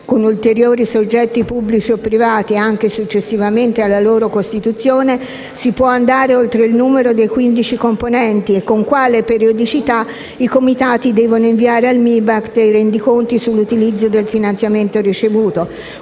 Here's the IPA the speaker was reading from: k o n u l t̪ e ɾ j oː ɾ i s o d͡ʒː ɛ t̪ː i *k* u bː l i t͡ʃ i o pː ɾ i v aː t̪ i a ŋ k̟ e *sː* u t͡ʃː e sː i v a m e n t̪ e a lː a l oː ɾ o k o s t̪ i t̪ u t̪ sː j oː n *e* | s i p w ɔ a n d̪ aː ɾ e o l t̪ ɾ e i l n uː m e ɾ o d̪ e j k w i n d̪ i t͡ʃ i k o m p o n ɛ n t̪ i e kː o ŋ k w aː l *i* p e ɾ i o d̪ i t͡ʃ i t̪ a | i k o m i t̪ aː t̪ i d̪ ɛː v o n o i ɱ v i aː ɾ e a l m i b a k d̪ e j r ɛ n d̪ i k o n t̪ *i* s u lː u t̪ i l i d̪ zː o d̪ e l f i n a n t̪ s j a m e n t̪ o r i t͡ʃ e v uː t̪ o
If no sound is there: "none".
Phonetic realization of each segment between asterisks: p, s, e, e, i

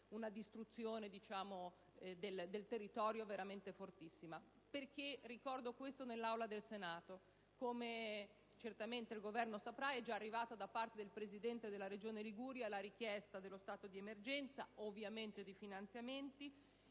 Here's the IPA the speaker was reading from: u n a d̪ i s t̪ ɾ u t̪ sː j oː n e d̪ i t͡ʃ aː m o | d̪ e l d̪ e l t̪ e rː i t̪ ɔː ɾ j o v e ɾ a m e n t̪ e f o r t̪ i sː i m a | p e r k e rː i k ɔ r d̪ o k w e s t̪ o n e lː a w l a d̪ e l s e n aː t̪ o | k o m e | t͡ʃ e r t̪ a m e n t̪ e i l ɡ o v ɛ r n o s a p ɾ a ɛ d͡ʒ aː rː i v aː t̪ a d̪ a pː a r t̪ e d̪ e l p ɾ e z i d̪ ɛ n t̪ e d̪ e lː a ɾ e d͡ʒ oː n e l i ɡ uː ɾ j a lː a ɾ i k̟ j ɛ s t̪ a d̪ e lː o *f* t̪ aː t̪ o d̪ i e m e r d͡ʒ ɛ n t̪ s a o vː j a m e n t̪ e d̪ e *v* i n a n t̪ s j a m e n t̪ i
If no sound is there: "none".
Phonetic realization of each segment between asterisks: s, f

